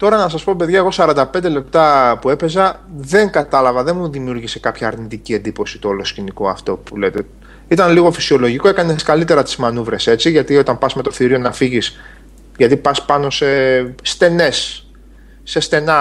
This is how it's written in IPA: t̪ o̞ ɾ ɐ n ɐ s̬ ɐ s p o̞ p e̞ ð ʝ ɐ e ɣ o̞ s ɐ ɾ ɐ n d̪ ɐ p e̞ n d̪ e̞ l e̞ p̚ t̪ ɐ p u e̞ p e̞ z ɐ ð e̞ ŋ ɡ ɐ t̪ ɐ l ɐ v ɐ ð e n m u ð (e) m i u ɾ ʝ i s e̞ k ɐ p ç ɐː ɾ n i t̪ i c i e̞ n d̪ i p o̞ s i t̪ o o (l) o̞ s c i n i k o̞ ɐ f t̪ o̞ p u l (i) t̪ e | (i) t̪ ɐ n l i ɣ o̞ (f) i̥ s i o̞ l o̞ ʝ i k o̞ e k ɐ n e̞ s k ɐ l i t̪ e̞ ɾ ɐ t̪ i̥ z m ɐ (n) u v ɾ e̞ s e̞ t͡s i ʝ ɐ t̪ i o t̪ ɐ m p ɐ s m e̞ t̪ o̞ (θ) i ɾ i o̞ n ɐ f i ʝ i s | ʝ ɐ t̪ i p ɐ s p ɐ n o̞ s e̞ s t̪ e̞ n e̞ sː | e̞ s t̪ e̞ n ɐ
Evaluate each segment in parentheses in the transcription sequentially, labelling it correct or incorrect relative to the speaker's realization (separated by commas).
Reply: incorrect, correct, incorrect, correct, correct, correct, correct